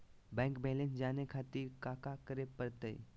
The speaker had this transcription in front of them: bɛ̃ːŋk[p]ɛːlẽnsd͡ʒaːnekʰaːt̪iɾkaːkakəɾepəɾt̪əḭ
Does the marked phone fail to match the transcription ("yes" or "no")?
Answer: yes